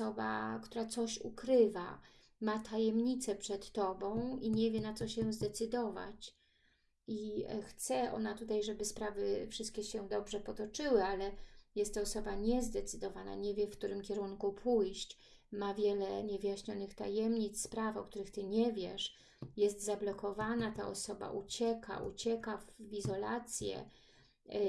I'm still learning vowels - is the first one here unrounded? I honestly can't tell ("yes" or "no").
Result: no